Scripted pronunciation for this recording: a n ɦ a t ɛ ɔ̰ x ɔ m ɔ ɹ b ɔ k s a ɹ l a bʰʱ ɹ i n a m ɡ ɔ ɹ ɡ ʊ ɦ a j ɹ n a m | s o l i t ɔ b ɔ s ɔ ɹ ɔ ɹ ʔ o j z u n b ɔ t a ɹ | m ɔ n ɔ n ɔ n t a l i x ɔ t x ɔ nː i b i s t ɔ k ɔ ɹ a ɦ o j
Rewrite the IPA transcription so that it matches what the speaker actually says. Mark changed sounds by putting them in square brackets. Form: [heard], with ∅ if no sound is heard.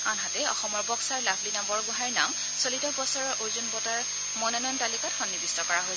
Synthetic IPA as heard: a n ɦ a t ɛ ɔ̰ x ɔ m ɔ ɹ b ɔ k s a ɹ l a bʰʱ [l] i n a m [b] ɔ ɹ ɡ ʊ ɦ a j ɹ n a m | s o l i t ɔ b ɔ s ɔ ɹ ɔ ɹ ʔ o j z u n b ɔ t a ɹ | m ɔ n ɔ n ɔ n t a l i [k] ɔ t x ɔ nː i b i s t ɔ k ɔ ɹ a ɦ o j